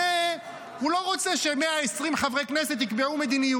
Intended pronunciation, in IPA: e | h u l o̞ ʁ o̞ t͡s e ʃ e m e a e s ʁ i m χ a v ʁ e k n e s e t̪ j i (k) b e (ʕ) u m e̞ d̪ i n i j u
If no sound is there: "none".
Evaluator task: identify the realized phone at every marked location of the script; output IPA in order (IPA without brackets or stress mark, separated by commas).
k, ʕ